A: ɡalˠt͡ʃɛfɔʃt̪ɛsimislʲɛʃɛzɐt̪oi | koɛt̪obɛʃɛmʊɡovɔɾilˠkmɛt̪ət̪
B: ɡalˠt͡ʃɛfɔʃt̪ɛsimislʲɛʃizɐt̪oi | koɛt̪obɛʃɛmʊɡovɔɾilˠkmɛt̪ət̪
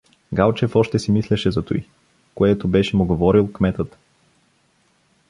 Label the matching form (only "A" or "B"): A